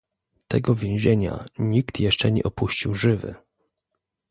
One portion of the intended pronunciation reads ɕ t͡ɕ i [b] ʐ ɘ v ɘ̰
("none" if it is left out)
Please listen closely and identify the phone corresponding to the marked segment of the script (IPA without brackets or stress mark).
w